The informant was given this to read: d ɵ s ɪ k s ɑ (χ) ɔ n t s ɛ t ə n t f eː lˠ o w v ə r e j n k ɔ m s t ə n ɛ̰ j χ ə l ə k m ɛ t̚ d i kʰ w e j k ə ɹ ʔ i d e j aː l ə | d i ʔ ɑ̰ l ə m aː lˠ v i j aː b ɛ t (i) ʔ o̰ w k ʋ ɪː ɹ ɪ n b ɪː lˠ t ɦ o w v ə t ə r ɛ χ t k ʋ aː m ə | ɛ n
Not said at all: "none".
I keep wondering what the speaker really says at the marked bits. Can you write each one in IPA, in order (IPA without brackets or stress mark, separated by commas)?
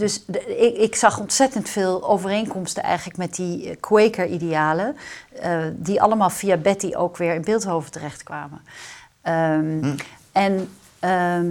χ, i